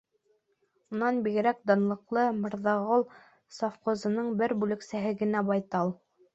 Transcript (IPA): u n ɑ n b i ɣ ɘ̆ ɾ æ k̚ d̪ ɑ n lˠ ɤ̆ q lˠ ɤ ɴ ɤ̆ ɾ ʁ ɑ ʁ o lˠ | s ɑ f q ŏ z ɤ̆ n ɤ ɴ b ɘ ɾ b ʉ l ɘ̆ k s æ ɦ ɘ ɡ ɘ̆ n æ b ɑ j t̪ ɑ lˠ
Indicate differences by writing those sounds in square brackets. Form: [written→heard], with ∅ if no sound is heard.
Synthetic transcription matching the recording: u n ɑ n b i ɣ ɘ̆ ɾ æ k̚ d̪ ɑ n lˠ ɤ̆ q lˠ ɤ [ɴ→m] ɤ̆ ɾ [ʁ→ð] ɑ ʁ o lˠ | s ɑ f q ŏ z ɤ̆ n ɤ ɴ b ɘ ɾ b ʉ l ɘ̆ k s æ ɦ ɘ ɡ ɘ̆ n æ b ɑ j t̪ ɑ lˠ